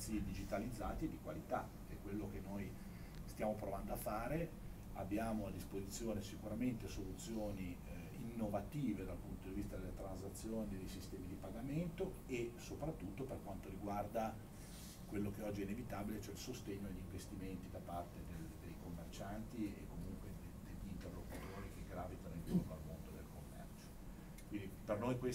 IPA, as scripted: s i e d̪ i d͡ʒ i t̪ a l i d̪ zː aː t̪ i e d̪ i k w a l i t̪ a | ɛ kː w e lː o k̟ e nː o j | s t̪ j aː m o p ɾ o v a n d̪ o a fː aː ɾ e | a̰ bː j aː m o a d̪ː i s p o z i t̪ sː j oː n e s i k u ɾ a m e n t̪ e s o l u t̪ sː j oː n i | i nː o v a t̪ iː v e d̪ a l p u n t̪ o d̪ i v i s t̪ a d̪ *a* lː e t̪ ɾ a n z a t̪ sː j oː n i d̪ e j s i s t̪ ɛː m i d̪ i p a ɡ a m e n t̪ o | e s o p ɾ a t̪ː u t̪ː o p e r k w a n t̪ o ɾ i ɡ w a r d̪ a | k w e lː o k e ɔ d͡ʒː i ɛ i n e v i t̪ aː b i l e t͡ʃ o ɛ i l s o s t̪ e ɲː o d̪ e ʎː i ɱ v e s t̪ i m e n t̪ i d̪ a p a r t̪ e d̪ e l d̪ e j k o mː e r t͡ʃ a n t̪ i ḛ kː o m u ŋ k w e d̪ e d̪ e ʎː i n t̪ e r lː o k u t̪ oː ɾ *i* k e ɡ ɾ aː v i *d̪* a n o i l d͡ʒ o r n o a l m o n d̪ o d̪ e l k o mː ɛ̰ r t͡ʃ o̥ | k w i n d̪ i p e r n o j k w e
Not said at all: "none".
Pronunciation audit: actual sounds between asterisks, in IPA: e, i, t̪

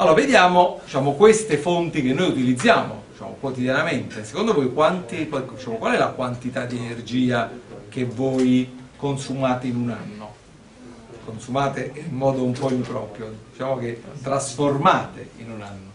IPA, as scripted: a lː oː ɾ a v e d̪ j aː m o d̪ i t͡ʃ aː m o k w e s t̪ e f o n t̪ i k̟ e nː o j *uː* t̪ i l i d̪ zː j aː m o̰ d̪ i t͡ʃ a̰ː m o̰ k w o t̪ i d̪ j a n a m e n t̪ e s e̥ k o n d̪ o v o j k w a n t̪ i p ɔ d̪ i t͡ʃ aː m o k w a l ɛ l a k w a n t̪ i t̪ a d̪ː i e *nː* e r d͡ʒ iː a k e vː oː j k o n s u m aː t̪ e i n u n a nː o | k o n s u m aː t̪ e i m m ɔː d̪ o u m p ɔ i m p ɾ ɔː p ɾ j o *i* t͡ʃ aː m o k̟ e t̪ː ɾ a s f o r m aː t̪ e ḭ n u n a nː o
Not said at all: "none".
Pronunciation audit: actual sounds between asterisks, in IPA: u, n, i

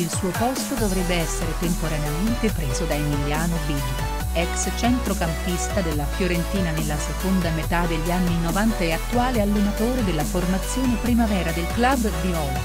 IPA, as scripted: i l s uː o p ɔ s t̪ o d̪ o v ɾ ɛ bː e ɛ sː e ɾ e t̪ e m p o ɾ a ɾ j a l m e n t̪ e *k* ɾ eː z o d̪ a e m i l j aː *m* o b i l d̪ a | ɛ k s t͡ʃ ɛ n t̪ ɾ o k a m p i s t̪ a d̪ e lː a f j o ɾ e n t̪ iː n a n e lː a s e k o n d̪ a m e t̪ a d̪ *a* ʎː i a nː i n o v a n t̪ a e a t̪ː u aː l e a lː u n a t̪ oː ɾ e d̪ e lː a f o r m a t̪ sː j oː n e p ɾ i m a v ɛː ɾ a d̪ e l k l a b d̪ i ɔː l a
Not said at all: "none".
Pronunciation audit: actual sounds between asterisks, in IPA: p, n, e

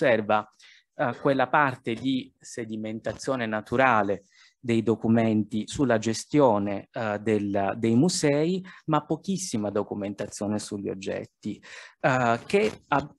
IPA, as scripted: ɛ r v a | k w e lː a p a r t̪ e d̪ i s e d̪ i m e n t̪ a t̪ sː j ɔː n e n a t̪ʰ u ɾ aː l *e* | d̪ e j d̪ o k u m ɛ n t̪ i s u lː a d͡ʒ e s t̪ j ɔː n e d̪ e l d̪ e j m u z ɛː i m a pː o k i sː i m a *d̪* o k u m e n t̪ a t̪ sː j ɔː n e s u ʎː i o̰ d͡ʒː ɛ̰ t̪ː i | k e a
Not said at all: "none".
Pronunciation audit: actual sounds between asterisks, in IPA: e, d̪

